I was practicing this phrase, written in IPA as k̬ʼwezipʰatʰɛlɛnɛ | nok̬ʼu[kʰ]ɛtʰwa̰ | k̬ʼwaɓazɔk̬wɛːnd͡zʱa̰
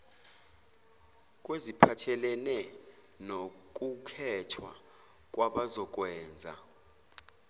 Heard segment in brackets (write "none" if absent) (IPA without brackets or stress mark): kʰ